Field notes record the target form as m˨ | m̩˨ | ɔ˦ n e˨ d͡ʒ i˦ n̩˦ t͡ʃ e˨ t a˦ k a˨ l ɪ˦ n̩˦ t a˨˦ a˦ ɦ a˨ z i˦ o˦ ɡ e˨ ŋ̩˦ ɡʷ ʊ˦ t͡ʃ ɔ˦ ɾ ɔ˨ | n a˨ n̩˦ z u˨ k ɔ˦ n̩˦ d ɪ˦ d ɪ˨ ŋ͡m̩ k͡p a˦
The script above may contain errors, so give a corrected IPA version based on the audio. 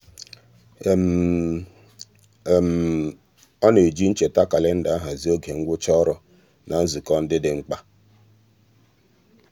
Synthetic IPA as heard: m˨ | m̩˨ | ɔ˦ n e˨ d͡ʒ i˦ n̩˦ t͡ʃ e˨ t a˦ k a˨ l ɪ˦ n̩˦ d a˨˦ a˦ ɦ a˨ z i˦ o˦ ɡ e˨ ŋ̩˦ ɡʷ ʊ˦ t͡ʃ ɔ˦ ɾ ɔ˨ | n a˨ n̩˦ z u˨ k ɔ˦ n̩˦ d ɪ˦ d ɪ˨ ŋ͡m̩ k͡p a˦

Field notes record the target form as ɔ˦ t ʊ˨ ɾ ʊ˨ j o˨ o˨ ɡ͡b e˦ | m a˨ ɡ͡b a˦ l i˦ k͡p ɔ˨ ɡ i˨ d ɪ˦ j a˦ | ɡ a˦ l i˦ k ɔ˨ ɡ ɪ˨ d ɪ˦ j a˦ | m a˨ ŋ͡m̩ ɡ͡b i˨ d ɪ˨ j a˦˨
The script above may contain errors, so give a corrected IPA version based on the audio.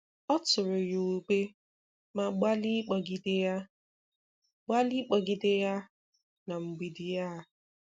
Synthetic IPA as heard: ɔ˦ t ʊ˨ ɾ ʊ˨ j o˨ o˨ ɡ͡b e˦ | m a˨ ɡ͡b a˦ l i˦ k͡p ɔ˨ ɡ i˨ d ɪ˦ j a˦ | ɡ͡b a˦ l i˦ k͡p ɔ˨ ɡ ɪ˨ d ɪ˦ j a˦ | n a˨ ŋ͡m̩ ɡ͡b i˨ d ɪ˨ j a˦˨

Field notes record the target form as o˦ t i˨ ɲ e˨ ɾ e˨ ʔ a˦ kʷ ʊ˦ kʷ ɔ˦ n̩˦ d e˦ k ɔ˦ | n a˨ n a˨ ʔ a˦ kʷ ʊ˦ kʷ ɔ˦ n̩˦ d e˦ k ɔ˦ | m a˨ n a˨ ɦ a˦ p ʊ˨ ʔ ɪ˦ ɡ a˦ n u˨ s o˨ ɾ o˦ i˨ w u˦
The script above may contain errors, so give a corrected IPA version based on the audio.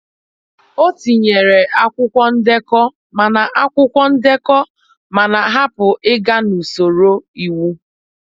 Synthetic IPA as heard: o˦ t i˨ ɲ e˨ ɾ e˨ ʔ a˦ kʷ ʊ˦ kʷ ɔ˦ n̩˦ d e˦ k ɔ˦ | m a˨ n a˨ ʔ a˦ kʷ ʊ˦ kʷ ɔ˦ n̩˦ d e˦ k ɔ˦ | m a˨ n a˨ ɦ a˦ p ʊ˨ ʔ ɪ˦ ɡ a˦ n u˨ s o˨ ɾ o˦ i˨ w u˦

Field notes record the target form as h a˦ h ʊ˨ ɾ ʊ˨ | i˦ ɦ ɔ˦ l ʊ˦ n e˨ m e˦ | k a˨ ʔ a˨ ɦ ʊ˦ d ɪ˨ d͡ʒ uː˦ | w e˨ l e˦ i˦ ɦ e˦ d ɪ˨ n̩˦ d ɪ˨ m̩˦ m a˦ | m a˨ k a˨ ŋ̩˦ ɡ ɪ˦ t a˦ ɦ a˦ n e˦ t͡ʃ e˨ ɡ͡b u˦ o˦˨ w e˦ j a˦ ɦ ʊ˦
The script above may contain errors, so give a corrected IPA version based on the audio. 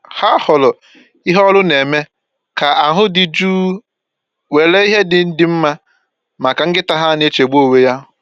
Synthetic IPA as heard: h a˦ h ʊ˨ l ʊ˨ | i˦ ɦ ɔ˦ l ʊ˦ n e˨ m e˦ | k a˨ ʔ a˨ ɦ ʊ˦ d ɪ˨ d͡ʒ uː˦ | w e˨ l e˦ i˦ ɦ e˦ d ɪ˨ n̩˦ d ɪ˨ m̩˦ m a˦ | m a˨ k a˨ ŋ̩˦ ɡ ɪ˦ t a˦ ɦ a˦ n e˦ t͡ʃ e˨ ɡ͡b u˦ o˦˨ w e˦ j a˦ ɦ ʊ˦

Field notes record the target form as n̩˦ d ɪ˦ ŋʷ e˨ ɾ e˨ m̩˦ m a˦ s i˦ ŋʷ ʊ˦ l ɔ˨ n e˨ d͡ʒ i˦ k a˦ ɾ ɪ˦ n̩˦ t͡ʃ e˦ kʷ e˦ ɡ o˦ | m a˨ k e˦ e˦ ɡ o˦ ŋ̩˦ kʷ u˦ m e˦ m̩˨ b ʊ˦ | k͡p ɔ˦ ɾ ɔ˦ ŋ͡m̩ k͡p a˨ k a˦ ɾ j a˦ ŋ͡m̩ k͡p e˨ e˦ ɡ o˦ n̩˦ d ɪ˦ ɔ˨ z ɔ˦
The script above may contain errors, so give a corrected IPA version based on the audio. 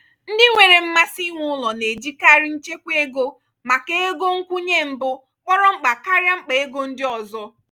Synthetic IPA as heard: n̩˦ d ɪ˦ ŋʷ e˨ ɾ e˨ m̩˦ m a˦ s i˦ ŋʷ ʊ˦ l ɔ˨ n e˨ d͡ʒ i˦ k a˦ ɾ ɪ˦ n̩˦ t͡ʃ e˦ kʷ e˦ ɡ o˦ | m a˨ k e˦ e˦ ɡ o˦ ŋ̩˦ kʷ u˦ ɲ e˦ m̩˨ b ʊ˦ | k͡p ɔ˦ ɾ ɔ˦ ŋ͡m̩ k͡p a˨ k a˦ ɾ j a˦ ŋ͡m̩ k͡p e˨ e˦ ɡ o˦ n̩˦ d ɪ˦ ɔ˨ z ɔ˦

